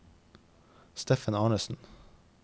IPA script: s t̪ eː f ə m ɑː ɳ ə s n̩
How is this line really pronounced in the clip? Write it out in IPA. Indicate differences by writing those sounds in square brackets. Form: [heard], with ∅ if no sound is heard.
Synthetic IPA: s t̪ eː f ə [n] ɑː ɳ ə s n̩

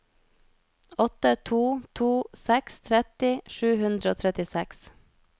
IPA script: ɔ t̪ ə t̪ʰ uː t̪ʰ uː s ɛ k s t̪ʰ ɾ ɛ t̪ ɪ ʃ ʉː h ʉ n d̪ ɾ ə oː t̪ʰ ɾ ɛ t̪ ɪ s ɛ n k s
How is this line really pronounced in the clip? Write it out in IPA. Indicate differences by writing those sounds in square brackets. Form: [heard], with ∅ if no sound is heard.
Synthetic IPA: ɔ t̪ ə t̪ʰ uː t̪ʰ uː s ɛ k s t̪ʰ ɾ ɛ t̪ ɪ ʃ ʉː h ʉ n d̪ ɾ ə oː t̪ʰ ɾ ɛ t̪ ɪ s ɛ [∅] k s

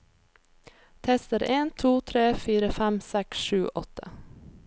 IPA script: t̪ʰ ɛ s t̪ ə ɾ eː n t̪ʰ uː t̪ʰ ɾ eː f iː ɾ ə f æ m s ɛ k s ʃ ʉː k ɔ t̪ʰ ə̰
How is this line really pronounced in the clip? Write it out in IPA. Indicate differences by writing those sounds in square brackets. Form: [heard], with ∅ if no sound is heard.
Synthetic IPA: t̪ʰ ɛ s t̪ ə ɾ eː n t̪ʰ uː t̪ʰ ɾ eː f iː ɾ ə f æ m s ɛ k s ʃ ʉː [ʔ] ɔ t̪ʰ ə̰

